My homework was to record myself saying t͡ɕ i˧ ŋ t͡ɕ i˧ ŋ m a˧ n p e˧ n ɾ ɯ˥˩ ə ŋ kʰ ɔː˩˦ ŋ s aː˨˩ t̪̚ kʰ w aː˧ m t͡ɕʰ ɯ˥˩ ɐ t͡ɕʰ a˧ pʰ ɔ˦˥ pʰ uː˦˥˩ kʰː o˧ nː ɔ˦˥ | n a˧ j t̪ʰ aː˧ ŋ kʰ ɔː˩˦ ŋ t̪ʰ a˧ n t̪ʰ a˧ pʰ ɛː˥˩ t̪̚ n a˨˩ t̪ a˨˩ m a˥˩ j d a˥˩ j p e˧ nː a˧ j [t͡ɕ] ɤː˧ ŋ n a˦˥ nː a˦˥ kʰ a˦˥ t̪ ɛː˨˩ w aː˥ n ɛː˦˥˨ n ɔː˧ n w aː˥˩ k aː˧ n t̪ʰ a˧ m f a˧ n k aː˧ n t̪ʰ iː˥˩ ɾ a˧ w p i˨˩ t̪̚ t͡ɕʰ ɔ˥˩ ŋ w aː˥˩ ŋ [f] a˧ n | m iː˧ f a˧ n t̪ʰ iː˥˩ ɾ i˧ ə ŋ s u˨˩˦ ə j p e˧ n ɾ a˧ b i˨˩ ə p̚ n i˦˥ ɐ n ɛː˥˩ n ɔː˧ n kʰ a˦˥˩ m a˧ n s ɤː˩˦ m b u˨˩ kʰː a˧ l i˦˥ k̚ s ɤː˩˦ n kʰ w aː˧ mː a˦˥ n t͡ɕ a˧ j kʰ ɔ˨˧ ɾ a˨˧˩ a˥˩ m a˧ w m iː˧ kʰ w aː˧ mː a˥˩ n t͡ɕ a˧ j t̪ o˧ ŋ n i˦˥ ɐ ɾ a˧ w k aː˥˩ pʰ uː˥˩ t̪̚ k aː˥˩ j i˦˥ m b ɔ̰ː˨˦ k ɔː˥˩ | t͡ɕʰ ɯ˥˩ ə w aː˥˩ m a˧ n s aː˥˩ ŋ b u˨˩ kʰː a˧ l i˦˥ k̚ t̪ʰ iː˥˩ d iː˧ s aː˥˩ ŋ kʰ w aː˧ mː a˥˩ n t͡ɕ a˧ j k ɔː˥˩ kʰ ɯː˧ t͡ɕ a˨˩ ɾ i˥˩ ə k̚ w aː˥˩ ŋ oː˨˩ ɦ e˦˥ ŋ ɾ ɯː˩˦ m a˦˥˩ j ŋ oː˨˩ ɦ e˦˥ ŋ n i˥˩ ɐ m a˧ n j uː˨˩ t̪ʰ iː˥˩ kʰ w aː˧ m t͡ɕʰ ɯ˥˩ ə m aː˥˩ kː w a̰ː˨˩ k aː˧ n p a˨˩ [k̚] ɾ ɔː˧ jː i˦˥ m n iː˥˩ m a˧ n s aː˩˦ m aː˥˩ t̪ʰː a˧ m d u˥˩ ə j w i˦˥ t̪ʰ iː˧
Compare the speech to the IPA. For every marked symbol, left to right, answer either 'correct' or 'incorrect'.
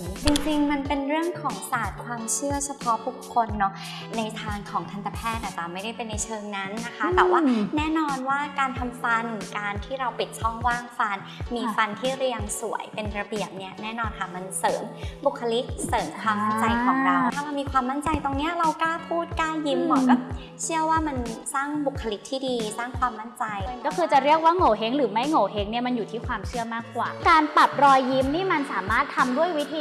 incorrect, correct, incorrect

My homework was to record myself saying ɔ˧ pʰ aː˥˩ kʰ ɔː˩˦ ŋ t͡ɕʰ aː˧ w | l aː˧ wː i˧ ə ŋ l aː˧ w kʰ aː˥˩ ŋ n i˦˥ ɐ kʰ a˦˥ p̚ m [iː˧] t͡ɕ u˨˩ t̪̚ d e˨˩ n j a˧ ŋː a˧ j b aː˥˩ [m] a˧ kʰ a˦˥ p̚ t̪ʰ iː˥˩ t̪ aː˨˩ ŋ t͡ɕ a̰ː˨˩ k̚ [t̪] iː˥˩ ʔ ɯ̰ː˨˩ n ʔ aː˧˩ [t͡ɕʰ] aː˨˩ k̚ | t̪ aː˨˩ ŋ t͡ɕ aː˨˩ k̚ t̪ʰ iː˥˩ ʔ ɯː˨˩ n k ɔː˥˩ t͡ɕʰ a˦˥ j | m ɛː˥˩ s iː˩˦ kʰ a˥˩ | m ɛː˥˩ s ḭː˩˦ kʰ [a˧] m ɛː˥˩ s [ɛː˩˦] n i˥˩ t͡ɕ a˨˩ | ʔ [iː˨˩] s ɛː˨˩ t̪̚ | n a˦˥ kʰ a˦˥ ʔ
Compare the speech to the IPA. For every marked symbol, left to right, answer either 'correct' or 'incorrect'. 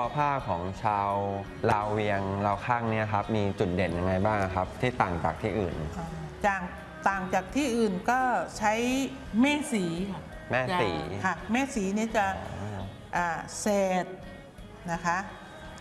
correct, incorrect, incorrect, incorrect, incorrect, incorrect, incorrect

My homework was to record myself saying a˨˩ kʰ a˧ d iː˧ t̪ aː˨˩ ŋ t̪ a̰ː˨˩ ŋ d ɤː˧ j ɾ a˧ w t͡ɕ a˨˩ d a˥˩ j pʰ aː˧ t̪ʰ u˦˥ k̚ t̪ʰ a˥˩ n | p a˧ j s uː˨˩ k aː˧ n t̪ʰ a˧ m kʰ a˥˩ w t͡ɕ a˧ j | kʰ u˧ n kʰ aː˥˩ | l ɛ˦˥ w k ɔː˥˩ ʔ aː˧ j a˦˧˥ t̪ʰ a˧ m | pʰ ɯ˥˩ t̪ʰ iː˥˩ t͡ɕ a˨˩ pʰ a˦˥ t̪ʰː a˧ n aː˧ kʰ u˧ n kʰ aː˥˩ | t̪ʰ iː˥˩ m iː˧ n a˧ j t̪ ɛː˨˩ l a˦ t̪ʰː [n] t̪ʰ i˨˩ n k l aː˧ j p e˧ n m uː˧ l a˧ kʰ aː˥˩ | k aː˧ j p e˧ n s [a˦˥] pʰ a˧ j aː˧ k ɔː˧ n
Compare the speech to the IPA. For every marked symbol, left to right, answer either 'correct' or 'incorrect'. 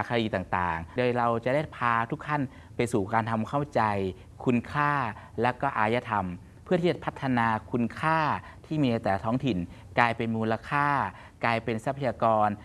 incorrect, correct

